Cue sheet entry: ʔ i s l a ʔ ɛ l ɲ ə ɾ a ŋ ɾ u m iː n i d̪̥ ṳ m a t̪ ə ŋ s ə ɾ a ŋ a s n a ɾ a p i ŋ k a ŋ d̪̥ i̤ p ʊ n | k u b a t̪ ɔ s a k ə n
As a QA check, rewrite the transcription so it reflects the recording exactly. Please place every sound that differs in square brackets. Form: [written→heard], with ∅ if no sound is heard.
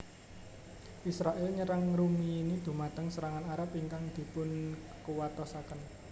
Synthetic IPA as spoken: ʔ i s [l→ɾ] a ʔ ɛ l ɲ ə ɾ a ŋ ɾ u m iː n i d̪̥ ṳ m a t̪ ə ŋ s ə ɾ a ŋ a [s→∅] n a ɾ a p i ŋ k a ŋ d̪̥ i̤ p ʊ n | k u [b→w] a t̪ ɔ s a k ə n